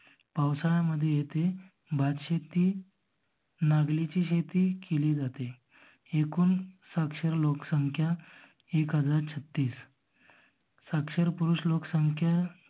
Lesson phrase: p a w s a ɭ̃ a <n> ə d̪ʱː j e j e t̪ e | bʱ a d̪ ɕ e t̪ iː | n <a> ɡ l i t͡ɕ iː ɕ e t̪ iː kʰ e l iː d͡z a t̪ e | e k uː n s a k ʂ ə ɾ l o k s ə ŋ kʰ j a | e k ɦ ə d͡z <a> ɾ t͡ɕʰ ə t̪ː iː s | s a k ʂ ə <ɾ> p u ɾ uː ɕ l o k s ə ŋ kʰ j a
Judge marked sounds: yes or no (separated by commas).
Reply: no, yes, yes, yes